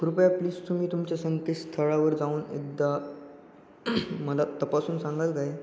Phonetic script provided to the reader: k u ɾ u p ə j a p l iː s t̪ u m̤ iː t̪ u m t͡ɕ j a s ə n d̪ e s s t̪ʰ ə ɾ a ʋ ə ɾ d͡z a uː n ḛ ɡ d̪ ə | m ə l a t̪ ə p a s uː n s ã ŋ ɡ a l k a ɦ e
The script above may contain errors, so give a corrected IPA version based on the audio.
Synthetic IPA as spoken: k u ɾ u p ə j a p l iː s t̪ u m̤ iː t̪ u m t͡ɕ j a s ə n t̪ e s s t̪ʰ ə ɭ a ʋ ə ɾ d͡z a uː n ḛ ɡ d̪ a | m ə l a t̪ ə p a s uː n s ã ŋ ɡ a l k a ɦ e